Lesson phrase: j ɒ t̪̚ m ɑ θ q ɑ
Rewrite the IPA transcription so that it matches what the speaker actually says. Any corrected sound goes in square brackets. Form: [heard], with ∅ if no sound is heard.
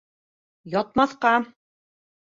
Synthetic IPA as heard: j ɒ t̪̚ m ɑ θ q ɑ